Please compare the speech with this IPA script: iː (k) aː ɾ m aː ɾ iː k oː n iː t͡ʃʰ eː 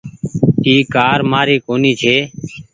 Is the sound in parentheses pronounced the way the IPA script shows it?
yes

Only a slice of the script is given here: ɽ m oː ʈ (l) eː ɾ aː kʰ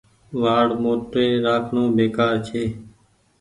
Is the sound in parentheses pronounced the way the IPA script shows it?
no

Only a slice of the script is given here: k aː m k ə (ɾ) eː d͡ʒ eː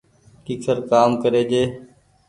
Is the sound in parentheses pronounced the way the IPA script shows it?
yes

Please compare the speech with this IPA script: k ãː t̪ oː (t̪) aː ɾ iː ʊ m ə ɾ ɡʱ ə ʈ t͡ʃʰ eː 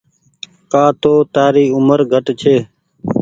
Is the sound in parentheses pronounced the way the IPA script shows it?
yes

